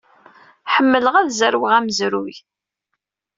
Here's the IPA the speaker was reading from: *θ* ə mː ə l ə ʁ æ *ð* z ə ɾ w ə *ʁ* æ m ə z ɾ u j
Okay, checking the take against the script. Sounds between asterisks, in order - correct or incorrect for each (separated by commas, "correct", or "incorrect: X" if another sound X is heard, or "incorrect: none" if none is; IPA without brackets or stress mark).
incorrect: ħ, correct, correct